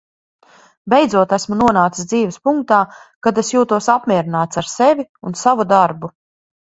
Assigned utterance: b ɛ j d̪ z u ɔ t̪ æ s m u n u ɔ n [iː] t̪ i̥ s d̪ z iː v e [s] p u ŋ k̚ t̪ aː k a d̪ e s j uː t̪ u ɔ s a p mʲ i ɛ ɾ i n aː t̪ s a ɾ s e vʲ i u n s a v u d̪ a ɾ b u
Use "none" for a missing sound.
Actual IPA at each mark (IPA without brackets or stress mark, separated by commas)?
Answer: aː, s